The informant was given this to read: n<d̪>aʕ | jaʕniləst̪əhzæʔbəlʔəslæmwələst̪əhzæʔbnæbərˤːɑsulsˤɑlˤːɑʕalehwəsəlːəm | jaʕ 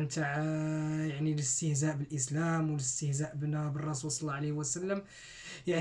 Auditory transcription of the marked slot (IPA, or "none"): t̪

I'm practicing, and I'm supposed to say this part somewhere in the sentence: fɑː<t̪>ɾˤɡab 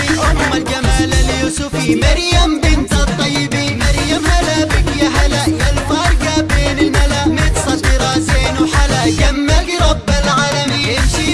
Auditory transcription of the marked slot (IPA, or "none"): none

